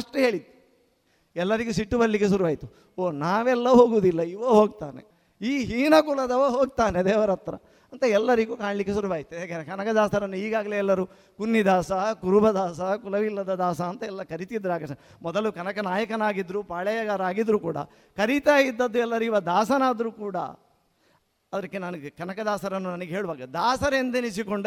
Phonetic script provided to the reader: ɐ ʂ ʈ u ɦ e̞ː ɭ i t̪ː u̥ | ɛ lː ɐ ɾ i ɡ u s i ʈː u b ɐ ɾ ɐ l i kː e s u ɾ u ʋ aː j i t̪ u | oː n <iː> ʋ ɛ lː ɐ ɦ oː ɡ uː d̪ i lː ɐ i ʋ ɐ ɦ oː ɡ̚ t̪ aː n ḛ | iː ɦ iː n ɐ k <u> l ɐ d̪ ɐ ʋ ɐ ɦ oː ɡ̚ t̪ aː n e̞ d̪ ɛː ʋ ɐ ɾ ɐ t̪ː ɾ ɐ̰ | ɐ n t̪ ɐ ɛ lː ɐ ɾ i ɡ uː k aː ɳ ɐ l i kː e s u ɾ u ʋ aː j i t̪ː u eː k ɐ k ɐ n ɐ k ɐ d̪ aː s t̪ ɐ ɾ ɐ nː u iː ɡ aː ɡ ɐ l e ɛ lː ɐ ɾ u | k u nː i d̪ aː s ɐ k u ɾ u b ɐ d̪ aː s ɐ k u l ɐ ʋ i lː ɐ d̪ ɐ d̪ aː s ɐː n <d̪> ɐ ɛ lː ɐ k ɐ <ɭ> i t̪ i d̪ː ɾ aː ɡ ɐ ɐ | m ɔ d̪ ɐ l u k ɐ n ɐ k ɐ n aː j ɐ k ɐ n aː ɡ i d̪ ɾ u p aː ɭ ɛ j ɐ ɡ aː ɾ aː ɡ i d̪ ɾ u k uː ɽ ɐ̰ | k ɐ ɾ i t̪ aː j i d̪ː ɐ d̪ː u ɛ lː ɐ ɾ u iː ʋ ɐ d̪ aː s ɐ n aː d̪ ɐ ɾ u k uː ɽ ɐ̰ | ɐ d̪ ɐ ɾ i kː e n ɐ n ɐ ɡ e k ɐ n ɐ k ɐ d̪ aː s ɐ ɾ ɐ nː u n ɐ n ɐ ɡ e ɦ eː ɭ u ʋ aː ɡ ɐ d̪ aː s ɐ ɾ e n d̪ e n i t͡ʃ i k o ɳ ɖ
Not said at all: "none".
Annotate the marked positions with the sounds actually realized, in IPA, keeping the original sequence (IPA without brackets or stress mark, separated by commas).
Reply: aː, u, t̪, ɾ